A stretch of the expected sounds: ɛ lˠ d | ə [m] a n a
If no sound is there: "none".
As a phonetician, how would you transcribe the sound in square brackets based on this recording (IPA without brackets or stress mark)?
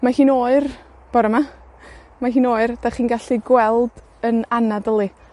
n